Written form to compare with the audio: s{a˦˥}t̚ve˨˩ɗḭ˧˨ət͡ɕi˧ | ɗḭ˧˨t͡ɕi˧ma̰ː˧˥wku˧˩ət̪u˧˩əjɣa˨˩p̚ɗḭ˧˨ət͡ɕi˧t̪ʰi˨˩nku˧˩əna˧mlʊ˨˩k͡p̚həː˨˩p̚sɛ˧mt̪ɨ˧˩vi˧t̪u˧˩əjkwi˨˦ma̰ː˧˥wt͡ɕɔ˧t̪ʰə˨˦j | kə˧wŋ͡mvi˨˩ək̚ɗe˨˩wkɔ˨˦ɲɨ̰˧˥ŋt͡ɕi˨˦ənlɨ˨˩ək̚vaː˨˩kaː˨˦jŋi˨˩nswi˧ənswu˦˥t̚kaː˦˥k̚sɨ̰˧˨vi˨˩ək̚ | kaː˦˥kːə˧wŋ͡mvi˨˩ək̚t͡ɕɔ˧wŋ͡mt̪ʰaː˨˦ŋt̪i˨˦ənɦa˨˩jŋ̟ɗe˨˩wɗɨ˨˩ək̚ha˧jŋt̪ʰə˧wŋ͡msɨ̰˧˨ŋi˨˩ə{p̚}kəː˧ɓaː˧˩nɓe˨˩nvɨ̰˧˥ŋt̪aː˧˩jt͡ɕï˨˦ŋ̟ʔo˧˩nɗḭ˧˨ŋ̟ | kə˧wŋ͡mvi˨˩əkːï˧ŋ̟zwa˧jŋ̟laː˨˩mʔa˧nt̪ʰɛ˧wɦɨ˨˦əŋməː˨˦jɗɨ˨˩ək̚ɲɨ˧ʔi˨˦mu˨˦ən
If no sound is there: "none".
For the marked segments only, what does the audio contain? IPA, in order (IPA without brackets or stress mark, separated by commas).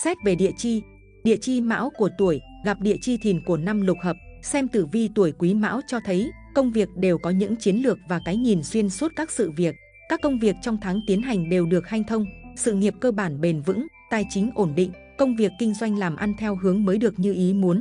ɛ˦˥, p̚